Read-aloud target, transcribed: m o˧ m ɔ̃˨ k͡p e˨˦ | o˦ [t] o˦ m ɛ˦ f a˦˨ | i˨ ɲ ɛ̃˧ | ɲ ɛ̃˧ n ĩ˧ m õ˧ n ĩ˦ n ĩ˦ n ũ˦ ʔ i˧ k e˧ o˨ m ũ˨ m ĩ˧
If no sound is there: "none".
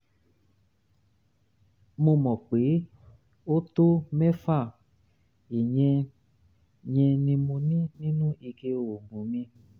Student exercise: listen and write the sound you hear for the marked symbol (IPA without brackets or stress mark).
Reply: t